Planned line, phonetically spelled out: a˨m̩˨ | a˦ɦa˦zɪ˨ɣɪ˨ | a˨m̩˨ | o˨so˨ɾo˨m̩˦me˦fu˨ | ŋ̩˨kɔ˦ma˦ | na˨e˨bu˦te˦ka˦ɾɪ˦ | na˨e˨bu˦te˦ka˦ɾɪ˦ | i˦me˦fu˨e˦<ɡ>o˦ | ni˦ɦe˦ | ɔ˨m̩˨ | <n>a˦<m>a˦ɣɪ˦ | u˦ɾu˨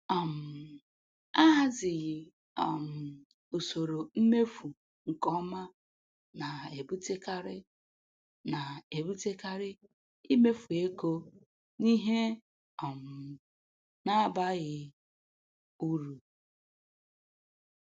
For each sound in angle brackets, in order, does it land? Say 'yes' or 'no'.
no, yes, no

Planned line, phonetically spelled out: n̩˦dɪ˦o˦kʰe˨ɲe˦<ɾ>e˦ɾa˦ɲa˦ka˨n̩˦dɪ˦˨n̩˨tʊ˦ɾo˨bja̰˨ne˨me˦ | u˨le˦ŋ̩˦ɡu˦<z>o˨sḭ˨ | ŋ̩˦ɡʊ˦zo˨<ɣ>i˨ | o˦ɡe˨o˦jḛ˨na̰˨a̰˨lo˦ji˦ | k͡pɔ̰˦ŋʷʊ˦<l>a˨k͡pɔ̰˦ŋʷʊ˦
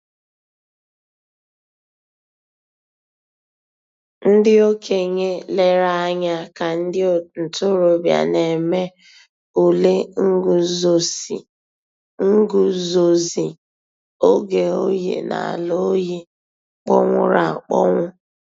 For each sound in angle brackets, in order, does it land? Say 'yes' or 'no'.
no, yes, no, no

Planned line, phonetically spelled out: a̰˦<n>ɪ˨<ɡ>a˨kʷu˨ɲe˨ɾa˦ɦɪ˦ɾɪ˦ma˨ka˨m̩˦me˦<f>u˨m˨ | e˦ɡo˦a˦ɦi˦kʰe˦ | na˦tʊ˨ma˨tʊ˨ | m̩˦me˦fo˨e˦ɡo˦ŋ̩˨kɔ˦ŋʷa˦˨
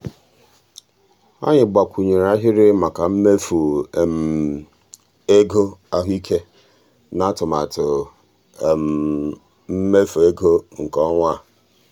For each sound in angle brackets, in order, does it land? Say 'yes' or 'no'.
no, no, yes

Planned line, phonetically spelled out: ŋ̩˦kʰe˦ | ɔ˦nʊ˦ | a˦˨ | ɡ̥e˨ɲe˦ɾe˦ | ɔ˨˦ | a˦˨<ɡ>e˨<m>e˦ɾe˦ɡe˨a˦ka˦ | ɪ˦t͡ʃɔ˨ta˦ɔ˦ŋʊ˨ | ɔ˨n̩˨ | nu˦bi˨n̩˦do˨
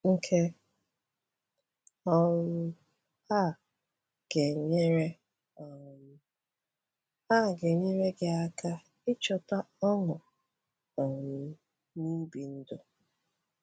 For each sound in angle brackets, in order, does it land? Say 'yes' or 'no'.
yes, no

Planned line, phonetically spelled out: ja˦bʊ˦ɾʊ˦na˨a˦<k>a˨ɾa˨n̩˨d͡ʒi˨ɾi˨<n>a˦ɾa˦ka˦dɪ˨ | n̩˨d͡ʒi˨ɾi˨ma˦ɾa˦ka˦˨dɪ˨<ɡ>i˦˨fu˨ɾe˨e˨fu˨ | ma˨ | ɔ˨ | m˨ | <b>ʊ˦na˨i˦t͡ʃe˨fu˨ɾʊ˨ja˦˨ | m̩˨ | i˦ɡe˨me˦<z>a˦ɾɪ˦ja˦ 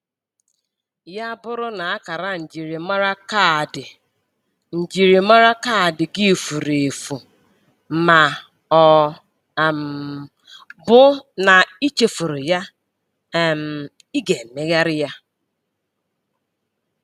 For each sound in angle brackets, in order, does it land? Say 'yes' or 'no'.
yes, no, yes, yes, no

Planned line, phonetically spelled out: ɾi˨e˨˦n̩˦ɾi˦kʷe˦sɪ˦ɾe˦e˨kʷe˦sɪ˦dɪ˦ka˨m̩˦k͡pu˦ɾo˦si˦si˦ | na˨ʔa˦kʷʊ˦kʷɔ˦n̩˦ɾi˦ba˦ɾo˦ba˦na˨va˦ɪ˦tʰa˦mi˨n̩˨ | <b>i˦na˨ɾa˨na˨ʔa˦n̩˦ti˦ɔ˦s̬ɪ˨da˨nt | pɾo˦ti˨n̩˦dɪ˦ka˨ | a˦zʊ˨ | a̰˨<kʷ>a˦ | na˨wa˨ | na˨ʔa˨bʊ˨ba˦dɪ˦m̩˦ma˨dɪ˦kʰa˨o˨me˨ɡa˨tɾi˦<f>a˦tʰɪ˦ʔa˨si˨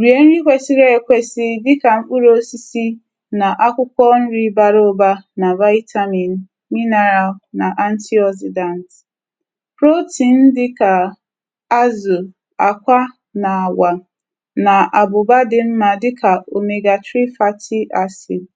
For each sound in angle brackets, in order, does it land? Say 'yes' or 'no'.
no, yes, yes

